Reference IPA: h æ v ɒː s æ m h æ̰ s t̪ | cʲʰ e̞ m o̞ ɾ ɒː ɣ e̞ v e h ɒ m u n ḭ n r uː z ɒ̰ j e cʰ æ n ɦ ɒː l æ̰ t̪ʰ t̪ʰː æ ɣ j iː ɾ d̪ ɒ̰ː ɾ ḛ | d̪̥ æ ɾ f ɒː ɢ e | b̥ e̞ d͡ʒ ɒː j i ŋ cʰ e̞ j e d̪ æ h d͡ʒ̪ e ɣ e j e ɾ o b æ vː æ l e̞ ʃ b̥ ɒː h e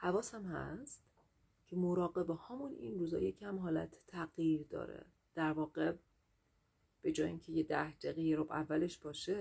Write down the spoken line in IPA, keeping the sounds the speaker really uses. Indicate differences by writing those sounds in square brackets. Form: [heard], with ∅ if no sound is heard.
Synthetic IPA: h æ v ɒː s æ m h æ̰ s t̪ | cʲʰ e̞ m o̞ ɾ ɒː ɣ e̞ [b] e h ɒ m u n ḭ n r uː z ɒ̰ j e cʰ æ [m] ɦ ɒː l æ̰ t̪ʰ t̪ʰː æ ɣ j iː ɾ d̪ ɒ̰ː ɾ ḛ | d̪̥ æ ɾ [v] ɒː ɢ e | b̥ e̞ d͡ʒ ɒː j i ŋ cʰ e̞ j e d̪ æ h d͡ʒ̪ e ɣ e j e ɾ o b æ vː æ l e̞ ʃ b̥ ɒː [ʃ] e